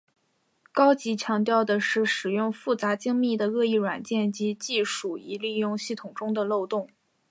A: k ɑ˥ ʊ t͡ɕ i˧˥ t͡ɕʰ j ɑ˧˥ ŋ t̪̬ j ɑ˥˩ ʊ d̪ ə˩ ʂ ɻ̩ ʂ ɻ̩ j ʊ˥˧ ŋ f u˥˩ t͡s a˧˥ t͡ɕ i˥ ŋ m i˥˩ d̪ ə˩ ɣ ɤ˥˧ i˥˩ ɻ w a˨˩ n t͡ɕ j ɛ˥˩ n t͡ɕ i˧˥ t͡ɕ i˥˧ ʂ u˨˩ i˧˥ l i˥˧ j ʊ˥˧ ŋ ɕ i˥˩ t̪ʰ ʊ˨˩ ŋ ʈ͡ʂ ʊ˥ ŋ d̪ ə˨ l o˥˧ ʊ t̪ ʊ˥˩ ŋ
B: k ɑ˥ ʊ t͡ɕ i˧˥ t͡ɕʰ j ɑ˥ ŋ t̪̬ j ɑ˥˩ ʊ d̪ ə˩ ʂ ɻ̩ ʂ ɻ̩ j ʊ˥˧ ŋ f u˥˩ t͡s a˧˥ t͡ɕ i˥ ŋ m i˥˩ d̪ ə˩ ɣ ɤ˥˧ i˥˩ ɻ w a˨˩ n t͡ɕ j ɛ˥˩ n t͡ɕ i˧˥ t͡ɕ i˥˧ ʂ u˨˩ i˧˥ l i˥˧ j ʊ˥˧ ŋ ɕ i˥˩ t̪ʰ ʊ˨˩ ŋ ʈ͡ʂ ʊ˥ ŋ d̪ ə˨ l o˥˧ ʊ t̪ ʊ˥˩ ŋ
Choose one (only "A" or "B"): A